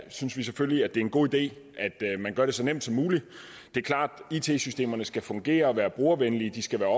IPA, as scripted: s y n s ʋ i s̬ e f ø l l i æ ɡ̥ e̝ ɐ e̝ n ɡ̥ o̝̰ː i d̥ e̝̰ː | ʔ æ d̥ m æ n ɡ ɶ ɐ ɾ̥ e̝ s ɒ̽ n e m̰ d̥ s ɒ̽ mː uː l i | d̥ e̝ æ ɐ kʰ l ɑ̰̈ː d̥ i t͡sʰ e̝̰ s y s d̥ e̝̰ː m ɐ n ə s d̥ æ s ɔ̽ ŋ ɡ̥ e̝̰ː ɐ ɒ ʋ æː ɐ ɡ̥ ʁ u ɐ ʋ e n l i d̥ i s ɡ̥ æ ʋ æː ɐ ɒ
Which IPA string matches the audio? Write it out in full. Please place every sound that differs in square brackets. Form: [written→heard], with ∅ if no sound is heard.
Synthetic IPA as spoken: s y n s ʋ i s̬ e f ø l l i æ [ɡ̥→d̥] e̝ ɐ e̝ n ɡ̥ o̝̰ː i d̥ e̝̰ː | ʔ æ d̥ m æ n ɡ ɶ ɐ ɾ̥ e̝ s ɒ̽ n e m̰ d̥ s ɒ̽ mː uː l i | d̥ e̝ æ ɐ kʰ l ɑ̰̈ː d̥ i t͡sʰ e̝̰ s y s d̥ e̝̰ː m ɐ n ə s [d̥→ɡ̥] æ [s→f] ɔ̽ ŋ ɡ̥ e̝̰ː ɐ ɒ ʋ æː ɐ [ɡ̥→b̥] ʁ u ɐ ʋ e n l i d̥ i s ɡ̥ æ ʋ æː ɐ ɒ